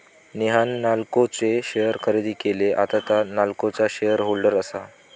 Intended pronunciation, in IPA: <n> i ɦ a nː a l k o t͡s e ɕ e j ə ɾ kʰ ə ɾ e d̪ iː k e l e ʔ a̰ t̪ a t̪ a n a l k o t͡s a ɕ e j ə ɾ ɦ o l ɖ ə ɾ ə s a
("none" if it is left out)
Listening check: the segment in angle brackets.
n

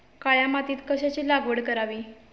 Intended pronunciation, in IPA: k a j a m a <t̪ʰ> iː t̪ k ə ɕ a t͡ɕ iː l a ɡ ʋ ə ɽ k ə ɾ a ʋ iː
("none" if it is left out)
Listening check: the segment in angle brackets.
t̪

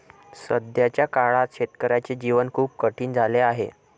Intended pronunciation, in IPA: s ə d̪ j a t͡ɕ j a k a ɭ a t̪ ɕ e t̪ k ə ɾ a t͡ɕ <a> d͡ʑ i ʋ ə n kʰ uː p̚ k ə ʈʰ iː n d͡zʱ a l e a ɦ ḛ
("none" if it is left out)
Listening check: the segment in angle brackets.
e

